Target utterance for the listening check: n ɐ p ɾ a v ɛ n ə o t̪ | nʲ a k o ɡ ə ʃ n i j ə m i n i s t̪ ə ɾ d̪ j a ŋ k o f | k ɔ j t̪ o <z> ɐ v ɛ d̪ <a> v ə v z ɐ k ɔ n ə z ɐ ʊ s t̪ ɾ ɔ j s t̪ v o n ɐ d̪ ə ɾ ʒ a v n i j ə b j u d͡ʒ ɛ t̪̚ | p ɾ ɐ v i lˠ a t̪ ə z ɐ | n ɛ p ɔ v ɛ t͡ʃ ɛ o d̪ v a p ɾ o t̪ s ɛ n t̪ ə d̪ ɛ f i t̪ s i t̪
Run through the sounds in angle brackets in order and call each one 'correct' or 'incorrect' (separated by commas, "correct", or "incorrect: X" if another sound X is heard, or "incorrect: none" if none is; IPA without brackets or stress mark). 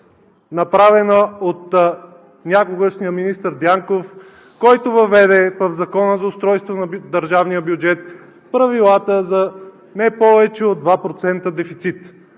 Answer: incorrect: v, incorrect: ɛ